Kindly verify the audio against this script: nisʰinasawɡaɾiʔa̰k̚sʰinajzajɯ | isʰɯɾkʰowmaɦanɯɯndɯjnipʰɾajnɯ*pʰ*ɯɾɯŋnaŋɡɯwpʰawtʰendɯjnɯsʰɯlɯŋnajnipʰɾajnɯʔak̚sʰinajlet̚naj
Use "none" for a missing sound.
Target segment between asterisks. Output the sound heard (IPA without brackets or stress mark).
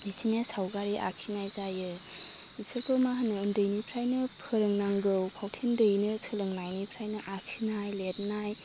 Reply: pʰ